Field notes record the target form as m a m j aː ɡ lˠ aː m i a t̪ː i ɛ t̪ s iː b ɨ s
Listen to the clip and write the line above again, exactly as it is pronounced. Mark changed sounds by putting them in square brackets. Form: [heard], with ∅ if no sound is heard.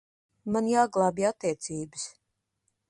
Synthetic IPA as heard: m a [n] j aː ɡ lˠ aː [b] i a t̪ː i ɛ t̪ s iː b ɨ s